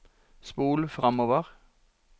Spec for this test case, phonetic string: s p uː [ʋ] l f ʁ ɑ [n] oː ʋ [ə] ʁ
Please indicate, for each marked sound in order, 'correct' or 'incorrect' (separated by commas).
incorrect, incorrect, correct